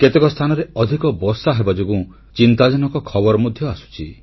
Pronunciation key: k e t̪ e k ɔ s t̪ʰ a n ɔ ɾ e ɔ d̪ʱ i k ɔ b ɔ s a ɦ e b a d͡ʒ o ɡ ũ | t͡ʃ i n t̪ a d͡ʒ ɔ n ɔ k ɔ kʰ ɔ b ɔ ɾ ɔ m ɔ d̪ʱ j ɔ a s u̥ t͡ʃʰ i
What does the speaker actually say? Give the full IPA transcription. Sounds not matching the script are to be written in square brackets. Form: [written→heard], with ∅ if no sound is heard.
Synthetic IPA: k e t̪ e k ɔ s t̪ʰ a n ɔ ɾ e ɔ d̪ʱ i k ɔ b ɔ s a ɦ e b a d͡ʒ o ɡ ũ | t͡ʃ i n t̪ a d͡ʒ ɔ n ɔ k ɔ kʰ ɔ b ɔ ɾ ɔ m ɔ d̪ʱ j ɔ a s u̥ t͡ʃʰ i